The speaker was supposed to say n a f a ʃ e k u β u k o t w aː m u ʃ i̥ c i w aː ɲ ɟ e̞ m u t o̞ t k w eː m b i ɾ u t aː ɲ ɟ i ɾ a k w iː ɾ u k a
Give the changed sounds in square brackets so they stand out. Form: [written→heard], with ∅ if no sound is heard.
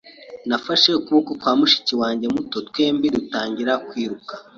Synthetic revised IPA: n a f a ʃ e k u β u k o t w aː m u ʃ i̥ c i w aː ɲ ɟ e̞ m u t o̞ t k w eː m b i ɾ u t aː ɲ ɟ i ɾ a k w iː ɾ u k a